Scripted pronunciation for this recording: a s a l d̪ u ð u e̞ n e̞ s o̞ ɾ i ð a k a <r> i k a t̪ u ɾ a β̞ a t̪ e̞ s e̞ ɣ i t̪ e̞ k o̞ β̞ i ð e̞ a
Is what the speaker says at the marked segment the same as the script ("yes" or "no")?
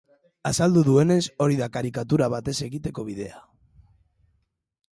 no